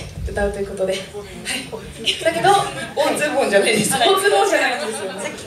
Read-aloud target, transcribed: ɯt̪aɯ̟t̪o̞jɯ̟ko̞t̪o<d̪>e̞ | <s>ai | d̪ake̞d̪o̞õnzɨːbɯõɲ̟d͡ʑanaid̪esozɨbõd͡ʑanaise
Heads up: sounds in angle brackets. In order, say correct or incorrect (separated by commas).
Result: correct, incorrect